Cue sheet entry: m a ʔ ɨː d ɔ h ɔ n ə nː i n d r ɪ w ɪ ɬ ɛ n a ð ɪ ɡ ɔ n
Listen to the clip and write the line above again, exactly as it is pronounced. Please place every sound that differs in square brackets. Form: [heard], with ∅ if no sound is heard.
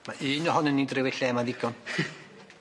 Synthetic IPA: m a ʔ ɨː [n] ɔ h ɔ n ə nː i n d r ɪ w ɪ ɬ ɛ [m] a ð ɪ ɡ ɔ n